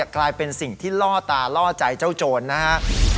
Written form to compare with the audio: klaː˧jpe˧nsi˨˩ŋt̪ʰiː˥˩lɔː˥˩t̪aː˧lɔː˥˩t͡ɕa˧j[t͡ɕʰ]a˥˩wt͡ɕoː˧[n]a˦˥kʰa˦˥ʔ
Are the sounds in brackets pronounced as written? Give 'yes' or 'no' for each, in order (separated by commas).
no, no